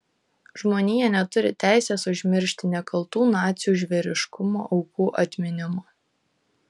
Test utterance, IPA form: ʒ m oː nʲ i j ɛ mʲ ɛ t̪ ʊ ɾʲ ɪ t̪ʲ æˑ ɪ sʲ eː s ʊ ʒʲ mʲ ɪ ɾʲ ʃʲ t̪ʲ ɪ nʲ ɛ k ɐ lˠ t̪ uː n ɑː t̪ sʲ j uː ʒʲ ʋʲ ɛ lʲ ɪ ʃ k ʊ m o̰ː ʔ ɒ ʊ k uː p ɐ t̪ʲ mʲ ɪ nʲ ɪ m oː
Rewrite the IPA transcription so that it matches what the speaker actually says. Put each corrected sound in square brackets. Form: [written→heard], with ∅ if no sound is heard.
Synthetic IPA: ʒ m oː nʲ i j ɛ [mʲ→nʲ] ɛ t̪ ʊ ɾʲ ɪ t̪ʲ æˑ ɪ sʲ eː s ʊ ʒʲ mʲ ɪ ɾʲ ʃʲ t̪ʲ ɪ nʲ ɛ k ɐ lˠ t̪ uː n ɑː t̪ sʲ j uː ʒʲ ʋʲ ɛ [lʲ→ɾʲ] ɪ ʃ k ʊ m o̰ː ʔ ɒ ʊ k uː [p→ʔ] ɐ t̪ʲ mʲ ɪ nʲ ɪ m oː